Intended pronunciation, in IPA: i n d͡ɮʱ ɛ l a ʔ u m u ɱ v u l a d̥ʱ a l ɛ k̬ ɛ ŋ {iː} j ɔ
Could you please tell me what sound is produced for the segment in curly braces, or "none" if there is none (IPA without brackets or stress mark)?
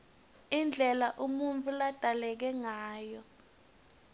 aː